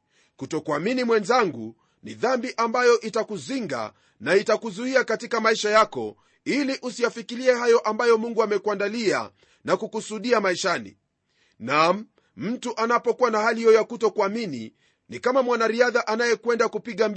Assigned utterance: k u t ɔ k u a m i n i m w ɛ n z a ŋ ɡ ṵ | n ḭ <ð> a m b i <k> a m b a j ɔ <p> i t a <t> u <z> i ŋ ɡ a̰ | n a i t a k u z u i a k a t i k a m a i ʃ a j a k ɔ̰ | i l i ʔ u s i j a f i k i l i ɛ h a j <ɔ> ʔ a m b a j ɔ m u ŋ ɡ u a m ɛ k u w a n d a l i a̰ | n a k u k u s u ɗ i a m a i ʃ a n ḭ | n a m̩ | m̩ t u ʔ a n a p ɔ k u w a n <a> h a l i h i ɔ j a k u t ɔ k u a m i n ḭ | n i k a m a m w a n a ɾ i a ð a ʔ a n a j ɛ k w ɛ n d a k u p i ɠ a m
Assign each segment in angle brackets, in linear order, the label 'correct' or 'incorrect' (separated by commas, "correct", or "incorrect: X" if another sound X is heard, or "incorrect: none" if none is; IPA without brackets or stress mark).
correct, incorrect: ʔ, incorrect: ʔ, incorrect: k, correct, correct, correct